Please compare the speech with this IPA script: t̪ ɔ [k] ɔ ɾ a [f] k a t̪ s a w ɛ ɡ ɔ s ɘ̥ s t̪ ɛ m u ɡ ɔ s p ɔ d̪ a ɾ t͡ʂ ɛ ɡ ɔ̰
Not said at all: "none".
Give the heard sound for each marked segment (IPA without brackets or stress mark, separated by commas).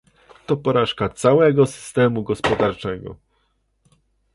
p, ʂ